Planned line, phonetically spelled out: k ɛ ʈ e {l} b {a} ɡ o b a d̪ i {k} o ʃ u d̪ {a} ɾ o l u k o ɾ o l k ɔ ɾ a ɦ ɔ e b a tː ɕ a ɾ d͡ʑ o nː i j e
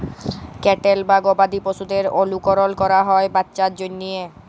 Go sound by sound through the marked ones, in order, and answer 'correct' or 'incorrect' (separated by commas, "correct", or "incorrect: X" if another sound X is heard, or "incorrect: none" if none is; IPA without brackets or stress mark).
correct, correct, incorrect: p, incorrect: e